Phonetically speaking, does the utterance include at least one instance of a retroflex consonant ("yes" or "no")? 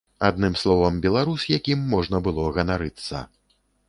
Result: yes